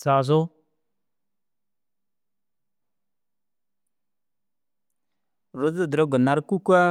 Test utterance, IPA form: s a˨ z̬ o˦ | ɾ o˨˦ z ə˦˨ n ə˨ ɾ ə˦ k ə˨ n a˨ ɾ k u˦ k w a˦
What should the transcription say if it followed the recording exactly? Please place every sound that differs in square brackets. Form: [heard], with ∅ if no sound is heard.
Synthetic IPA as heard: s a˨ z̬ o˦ | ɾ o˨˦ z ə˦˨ [d] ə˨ ɾ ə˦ [ɡ] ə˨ n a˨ ɾ k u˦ k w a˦